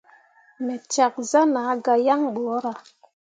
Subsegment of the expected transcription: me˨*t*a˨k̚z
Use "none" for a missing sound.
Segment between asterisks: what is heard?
t͡ʃ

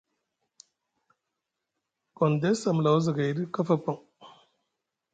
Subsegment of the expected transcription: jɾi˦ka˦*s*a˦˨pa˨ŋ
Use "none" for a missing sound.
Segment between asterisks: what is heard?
f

